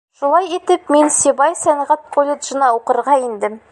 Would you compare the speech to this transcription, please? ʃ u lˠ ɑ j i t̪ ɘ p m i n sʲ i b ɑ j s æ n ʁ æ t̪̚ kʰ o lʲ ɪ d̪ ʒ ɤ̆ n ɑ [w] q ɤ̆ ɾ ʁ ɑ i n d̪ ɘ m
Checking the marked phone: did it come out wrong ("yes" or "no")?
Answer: yes